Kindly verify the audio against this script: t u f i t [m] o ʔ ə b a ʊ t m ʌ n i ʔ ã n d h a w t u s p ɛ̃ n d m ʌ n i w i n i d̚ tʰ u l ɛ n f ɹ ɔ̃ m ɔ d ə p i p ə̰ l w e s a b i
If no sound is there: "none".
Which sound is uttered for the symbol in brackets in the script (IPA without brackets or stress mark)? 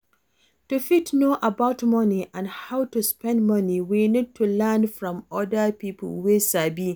n